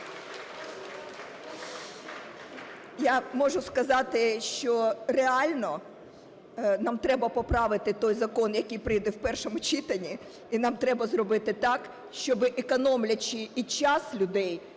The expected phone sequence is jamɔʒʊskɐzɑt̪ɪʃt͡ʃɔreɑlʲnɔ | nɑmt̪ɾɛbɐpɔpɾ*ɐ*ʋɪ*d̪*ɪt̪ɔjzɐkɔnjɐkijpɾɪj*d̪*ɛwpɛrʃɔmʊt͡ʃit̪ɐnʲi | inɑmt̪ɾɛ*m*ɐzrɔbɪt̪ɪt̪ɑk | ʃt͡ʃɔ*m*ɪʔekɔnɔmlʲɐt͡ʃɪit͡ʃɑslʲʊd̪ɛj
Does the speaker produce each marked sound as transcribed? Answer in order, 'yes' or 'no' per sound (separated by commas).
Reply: no, no, yes, no, no